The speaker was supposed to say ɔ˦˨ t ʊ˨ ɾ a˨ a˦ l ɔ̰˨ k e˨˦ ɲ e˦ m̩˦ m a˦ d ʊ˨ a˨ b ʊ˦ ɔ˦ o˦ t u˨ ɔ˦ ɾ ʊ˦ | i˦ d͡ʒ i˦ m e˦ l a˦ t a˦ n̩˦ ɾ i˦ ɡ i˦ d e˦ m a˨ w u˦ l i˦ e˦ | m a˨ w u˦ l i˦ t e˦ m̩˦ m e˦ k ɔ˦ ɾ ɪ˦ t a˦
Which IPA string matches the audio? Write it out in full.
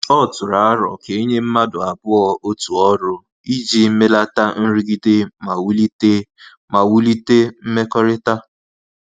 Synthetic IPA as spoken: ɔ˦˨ t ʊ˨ ɾ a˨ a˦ ɾ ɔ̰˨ k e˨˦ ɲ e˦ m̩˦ m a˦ d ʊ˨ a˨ b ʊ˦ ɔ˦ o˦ t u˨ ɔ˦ ɾ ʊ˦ | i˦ d͡ʒ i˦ m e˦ l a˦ t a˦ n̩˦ ɾ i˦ ɡ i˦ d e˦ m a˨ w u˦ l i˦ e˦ | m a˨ w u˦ l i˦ t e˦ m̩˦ m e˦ k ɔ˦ ɾ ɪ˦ t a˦